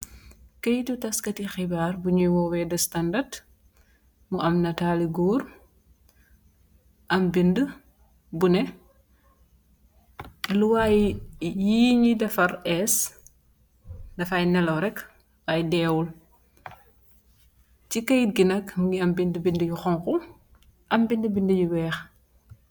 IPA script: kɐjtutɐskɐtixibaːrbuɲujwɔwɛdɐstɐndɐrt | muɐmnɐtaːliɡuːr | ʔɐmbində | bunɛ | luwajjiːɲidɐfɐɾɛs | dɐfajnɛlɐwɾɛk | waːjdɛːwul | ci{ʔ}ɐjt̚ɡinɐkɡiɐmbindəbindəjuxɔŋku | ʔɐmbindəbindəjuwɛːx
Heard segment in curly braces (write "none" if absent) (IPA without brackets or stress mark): k